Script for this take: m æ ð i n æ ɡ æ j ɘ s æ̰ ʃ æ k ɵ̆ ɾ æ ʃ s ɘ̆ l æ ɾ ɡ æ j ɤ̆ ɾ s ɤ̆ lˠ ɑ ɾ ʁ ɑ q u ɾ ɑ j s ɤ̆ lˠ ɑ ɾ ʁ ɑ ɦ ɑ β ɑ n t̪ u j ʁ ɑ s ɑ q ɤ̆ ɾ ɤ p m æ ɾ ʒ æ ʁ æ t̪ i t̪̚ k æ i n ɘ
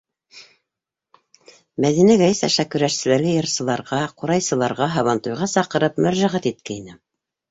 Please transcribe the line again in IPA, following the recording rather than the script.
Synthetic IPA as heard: m æ ð i n æ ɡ æ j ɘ s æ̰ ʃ æ k ɵ̆ ɾ æ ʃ s ɘ̆ l æ ɾ ɡ æ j ɤ̆ ɾ s ɤ̆ lˠ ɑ ɾ ʁ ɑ q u ɾ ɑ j s ɤ̆ lˠ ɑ ɾ ʁ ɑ ɦ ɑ β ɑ n t̪ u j ʁ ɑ s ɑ q ɤ̆ ɾ ɤ p m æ ɾ ʒ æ ʁ æ t̪ i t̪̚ k æ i n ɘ